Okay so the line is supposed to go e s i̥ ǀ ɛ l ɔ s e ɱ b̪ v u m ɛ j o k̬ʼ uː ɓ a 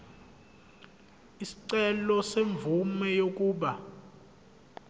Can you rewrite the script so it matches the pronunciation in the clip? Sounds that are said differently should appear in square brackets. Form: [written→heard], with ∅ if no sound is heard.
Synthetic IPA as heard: [e→i] s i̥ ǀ ɛ l ɔ s e ɱ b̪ v u m ɛ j o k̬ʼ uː ɓ a